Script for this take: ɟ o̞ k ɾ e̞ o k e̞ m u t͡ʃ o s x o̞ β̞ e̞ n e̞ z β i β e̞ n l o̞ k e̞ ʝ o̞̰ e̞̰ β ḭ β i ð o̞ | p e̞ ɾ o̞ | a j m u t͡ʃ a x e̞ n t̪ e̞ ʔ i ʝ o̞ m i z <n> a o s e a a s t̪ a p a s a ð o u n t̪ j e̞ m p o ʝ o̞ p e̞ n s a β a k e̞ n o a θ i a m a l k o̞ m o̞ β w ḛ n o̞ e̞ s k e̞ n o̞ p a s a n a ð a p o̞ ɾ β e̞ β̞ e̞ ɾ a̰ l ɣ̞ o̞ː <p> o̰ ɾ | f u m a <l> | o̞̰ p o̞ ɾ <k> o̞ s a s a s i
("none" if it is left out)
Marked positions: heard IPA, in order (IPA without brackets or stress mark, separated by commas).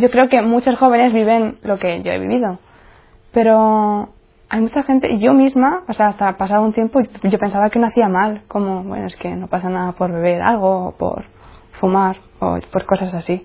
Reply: m, p, ɾ, k